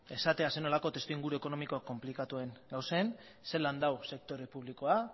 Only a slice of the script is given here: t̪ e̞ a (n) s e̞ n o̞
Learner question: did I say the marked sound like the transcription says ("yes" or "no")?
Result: no